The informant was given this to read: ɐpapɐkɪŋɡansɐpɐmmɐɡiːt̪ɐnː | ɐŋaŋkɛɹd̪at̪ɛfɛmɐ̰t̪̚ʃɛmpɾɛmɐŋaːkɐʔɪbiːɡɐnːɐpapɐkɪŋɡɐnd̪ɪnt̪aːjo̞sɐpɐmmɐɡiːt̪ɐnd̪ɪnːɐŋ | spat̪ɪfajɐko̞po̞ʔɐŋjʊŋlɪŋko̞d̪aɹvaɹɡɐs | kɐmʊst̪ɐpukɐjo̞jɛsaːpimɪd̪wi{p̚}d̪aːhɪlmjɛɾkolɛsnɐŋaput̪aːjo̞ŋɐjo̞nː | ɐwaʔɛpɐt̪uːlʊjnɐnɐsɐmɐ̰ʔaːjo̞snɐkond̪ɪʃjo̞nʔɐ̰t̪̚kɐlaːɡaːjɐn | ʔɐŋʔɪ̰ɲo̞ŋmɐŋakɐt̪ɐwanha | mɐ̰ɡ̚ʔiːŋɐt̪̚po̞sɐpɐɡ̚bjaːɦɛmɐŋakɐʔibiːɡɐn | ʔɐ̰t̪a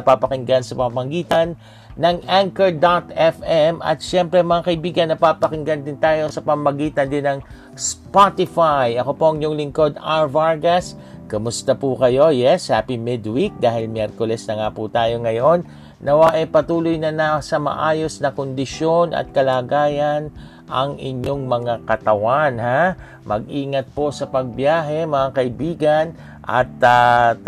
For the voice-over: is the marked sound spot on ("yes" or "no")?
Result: no